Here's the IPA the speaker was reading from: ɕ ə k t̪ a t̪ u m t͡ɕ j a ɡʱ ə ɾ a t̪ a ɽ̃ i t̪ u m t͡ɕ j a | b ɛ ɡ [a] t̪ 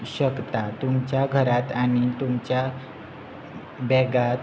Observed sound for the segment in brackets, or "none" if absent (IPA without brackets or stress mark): a